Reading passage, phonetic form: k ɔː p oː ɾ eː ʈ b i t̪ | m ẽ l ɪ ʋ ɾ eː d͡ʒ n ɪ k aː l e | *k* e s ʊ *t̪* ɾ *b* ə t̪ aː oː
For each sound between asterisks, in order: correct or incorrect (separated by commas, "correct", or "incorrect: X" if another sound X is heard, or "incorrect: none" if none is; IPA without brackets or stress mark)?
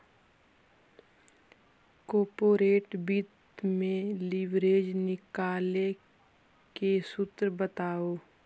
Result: correct, correct, correct